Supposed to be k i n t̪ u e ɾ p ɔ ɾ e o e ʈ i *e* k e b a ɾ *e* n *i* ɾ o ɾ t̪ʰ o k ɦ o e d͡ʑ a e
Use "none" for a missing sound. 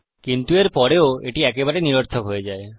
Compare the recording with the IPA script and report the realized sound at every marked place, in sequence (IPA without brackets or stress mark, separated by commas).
ɛ, e, i